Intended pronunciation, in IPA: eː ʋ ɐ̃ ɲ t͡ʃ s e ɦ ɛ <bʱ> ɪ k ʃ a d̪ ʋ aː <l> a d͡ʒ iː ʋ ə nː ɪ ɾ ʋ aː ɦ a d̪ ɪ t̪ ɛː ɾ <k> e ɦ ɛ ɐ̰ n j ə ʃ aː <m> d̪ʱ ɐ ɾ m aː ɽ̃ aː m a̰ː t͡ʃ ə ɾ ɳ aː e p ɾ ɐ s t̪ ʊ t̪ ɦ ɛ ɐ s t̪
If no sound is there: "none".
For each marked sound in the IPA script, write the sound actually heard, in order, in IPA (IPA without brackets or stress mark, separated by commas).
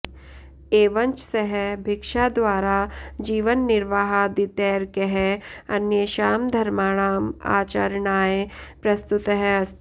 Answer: bʱ, ɾ, k, m